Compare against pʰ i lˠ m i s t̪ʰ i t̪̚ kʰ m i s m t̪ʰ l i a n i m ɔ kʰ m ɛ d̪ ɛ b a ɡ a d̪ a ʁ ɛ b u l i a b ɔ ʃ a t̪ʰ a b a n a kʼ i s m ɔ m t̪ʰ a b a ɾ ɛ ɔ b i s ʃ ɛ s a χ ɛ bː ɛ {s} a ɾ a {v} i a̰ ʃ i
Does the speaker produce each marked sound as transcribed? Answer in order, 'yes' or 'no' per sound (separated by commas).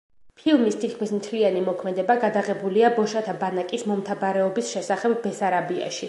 yes, no